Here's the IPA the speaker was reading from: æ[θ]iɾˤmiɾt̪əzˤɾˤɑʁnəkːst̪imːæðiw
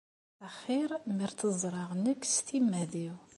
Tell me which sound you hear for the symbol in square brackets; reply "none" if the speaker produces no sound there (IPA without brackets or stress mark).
χ